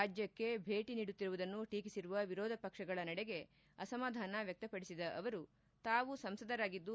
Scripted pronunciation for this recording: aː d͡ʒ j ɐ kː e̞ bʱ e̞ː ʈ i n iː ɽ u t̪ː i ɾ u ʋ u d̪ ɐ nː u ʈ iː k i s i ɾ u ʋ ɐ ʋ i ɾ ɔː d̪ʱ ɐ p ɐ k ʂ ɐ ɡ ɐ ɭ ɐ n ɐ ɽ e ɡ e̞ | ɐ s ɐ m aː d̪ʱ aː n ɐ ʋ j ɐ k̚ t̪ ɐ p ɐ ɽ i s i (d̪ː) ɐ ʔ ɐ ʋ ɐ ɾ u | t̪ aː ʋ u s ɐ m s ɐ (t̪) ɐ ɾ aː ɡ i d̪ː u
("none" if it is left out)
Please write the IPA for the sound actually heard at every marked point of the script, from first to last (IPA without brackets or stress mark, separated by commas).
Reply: d̪, d̪